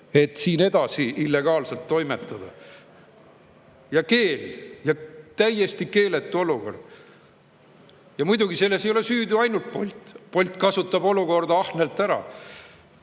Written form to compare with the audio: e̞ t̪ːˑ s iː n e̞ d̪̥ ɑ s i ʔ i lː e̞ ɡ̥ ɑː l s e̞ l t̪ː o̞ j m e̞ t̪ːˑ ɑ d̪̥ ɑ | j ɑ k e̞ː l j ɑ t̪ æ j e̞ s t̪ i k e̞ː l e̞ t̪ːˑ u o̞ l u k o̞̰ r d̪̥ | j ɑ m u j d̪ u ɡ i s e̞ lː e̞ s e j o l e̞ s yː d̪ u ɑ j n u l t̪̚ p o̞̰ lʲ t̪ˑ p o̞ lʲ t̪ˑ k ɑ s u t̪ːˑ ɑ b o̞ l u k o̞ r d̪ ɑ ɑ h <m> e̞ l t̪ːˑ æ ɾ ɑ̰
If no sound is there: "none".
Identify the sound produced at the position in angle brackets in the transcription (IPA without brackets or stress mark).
n